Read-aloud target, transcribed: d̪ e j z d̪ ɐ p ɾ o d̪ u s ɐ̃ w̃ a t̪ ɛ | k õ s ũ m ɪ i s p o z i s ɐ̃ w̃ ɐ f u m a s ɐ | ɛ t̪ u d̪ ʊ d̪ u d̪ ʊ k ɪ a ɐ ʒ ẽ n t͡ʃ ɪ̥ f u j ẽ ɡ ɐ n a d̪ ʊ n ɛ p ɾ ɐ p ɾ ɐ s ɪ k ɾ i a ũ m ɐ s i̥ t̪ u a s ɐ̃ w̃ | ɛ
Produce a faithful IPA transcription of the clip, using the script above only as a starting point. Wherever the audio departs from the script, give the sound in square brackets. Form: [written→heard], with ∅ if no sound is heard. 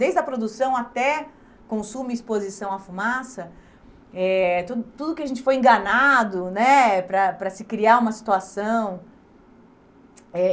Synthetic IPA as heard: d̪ e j z d̪ ɐ p ɾ o d̪ u s ɐ̃ w̃ a t̪ ɛ | k õ s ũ m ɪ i s p o z i s ɐ̃ w̃ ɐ f u m a s ɐ | ɛ t̪ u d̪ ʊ [d̪→t̪] u d̪ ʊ k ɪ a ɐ ʒ ẽ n t͡ʃ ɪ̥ f [u→o] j ẽ ɡ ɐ n a d̪ ʊ n ɛ p ɾ ɐ p ɾ ɐ s ɪ k ɾ i a ũ m ɐ s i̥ t̪ u a s ɐ̃ w̃ | ɛ